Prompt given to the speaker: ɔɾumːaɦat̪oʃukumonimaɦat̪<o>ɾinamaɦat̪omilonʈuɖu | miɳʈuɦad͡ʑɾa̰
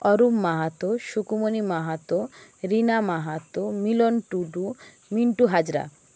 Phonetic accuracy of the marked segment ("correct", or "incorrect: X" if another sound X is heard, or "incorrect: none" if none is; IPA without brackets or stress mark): correct